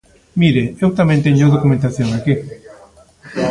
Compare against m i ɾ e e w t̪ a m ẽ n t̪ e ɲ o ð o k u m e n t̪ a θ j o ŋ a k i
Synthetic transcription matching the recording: m i ɾ e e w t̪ a m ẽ n t̪ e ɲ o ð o k u m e n t̪ a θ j o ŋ a k i